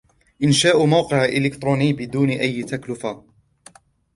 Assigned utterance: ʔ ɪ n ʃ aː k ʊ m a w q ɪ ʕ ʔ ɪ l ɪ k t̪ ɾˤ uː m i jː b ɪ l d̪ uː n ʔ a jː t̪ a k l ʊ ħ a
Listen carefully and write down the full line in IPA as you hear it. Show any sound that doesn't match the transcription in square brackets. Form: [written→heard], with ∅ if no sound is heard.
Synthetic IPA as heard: ʔ ɪ n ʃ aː [k→ʔ] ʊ m a w q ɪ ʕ ʔ ɪ l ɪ k t̪ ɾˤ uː [m→n] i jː b ɪ [l→∅] d̪ uː n ʔ a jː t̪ a k l ʊ [ħ→f] a